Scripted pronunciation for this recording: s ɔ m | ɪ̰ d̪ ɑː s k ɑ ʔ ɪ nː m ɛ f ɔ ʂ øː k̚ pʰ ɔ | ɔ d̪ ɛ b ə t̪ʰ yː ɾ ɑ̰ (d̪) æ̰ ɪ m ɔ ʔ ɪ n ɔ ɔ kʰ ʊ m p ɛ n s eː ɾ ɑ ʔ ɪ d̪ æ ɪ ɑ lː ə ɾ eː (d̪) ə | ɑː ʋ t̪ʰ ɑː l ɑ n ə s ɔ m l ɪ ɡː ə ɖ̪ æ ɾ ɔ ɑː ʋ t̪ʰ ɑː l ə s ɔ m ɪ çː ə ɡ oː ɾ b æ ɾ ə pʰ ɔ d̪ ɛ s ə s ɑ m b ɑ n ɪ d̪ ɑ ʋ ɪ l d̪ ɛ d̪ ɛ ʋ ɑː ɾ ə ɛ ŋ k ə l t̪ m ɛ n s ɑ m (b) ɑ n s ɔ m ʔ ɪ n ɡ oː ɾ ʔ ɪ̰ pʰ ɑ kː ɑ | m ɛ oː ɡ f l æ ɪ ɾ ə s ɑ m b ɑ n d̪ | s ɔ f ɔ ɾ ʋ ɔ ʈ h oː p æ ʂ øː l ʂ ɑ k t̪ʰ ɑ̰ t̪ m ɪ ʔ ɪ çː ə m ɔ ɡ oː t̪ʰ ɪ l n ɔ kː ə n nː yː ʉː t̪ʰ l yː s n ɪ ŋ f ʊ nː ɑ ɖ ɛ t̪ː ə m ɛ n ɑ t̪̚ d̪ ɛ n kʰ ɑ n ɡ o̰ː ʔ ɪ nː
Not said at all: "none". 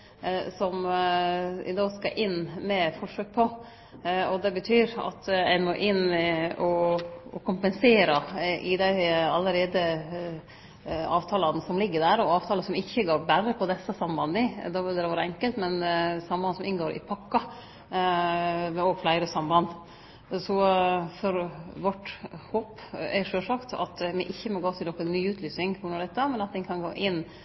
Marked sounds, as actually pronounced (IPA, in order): t̪, d̪, b

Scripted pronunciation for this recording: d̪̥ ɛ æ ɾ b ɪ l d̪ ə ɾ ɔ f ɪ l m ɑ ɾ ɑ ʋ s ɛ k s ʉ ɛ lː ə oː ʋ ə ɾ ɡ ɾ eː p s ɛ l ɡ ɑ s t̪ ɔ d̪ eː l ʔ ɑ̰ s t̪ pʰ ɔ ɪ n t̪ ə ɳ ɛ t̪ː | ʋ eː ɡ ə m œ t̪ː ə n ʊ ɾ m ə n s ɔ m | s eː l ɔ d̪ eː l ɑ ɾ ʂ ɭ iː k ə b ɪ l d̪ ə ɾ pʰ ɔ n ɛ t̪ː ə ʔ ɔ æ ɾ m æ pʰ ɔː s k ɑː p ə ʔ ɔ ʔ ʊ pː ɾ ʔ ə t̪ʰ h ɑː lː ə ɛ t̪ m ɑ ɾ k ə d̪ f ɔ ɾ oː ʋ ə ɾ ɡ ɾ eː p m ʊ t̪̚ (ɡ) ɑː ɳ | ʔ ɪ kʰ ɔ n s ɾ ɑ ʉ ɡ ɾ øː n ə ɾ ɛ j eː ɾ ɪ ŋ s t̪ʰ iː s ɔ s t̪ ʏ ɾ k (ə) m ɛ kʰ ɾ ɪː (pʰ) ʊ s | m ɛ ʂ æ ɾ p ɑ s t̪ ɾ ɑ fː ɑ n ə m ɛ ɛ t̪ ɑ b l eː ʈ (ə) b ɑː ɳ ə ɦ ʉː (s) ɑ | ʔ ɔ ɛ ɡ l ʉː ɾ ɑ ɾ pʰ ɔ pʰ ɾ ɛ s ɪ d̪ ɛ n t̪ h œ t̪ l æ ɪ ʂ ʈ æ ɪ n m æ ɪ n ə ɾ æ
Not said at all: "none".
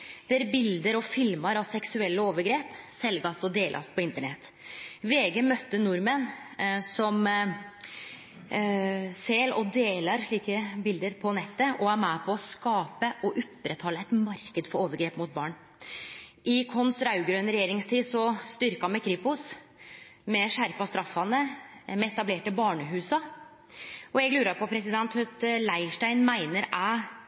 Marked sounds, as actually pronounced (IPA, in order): b, ɑ, p, ə, s

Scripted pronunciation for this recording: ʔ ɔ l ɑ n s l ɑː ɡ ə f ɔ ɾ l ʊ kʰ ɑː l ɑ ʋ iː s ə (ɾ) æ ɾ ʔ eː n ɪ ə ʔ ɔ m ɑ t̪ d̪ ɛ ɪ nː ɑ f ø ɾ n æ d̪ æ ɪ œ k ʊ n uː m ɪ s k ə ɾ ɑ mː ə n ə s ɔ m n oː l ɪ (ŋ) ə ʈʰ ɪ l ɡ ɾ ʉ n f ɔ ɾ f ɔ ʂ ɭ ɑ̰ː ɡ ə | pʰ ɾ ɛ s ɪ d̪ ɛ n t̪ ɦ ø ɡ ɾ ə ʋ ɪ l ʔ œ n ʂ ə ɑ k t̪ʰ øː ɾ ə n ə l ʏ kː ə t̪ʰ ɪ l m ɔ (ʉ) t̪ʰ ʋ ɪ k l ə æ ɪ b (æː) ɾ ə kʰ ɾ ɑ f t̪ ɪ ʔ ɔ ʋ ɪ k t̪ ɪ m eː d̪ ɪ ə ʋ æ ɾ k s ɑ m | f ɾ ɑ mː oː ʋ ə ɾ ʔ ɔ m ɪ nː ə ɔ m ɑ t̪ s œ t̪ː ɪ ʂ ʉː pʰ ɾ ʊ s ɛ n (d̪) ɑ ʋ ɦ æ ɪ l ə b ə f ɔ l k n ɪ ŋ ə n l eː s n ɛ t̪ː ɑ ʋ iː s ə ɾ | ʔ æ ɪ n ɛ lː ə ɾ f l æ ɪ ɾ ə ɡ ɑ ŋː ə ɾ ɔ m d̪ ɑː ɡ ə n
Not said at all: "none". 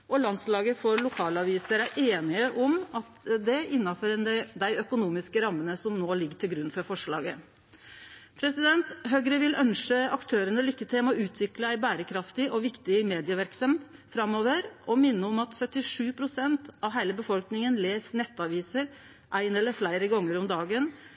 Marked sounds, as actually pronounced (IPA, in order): ɾ, ɡ, ʉː, æː, t̪

